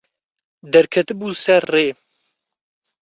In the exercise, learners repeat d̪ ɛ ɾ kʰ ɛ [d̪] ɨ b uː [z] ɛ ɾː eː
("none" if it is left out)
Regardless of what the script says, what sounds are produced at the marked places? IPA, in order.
t̪, s

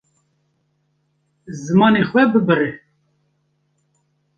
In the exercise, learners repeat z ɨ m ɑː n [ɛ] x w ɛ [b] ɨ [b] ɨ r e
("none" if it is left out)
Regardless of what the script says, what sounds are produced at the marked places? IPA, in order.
e, b, b

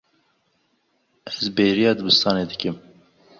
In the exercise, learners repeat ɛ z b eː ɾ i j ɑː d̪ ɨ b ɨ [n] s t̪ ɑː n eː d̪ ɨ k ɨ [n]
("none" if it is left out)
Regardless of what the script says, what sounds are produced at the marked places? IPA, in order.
none, m

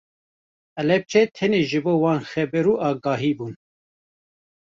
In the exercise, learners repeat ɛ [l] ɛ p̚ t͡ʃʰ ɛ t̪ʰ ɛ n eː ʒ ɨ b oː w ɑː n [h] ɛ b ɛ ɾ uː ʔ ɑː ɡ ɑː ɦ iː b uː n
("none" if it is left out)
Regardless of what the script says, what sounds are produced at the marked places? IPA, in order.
l, x

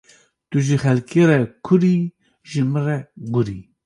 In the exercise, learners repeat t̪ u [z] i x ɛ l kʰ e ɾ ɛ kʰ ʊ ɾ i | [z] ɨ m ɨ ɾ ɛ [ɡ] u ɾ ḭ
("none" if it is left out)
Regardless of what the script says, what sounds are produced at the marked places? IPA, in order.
ʒ, ʒ, ɡ

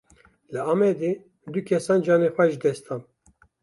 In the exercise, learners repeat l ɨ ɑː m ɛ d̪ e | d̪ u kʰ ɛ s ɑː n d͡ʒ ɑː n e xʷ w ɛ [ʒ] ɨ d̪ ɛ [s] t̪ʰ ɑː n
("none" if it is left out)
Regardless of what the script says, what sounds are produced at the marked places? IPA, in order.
ʒ, s

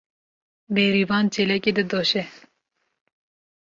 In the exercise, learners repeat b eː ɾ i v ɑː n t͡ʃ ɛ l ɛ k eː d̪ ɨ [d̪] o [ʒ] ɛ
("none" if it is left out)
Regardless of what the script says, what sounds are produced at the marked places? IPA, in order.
d̪, ʃ

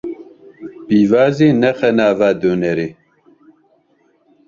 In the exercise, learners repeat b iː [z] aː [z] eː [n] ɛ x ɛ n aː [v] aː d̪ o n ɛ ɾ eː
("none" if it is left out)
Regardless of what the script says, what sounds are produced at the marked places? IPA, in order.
v, z, n, v

